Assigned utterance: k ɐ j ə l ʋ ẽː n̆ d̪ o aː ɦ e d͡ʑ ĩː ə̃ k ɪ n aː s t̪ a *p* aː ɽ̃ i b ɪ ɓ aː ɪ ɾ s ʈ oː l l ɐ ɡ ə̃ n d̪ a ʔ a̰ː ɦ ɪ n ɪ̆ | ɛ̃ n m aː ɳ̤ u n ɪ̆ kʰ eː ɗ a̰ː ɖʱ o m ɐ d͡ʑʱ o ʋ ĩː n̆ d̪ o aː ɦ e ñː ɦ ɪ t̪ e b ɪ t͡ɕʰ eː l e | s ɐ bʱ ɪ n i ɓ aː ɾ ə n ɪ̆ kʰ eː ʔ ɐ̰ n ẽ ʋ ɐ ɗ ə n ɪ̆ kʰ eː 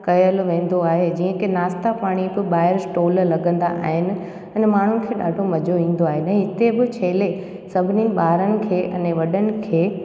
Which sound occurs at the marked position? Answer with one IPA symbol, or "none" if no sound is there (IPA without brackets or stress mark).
p